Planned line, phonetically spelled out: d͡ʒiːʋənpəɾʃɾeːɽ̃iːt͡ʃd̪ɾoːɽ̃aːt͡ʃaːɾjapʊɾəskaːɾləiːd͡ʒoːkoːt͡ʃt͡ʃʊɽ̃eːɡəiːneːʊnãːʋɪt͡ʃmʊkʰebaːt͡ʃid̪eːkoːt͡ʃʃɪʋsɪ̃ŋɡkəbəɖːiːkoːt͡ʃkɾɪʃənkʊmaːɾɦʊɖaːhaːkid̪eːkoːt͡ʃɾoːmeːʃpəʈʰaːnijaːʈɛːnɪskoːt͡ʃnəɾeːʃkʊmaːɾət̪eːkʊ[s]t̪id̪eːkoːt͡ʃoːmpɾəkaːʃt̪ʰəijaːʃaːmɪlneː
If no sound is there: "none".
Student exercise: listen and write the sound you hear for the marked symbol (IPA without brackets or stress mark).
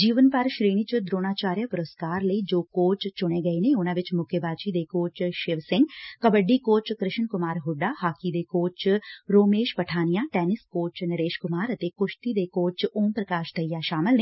ʃ